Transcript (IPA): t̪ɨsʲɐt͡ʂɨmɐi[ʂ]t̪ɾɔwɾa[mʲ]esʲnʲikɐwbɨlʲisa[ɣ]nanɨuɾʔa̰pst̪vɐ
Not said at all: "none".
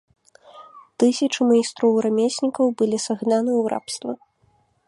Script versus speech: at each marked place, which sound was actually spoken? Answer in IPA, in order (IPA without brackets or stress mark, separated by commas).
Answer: s, mʲ, ɣ